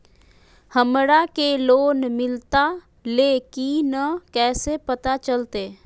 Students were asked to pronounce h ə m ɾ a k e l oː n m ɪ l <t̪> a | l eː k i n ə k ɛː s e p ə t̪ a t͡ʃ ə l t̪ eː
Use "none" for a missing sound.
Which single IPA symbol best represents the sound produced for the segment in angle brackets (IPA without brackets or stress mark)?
t̪